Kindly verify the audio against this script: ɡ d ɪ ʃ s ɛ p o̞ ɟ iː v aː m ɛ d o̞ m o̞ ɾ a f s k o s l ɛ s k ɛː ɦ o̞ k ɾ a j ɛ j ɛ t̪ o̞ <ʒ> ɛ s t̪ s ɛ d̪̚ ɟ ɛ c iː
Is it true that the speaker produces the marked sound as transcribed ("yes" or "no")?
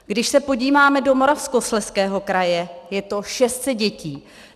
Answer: no